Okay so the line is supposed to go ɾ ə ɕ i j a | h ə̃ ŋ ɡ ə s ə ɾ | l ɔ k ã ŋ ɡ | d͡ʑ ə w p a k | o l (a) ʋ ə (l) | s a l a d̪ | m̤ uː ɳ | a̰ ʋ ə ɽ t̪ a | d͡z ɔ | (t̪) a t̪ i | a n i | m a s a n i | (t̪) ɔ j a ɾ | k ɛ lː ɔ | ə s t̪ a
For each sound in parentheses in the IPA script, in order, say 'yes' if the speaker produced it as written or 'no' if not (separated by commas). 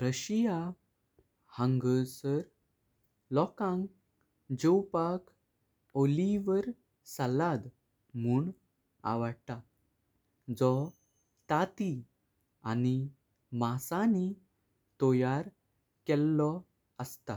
no, no, yes, yes